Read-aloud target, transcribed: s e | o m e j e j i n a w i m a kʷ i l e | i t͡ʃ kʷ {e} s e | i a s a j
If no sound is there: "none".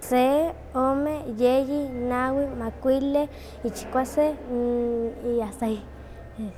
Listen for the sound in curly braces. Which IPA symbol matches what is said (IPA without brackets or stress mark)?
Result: a